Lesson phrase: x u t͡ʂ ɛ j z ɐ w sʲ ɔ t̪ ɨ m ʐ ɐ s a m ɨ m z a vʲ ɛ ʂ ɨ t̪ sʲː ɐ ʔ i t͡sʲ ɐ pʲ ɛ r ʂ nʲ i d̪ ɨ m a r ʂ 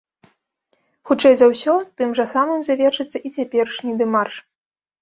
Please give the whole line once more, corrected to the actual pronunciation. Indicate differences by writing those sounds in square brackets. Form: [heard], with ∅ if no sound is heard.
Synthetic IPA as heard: x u t͡ʂ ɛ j z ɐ w sʲ ɔ t̪ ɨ m ʐ ɐ s a m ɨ m z a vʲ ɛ ʂ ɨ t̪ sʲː ɐ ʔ i t͡sʲ [a] pʲ ɛ r ʂ nʲ i d̪ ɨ m a r ʂ